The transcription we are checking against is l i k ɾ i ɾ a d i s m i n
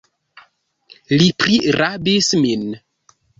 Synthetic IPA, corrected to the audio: l i p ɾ i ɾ a b i s m i n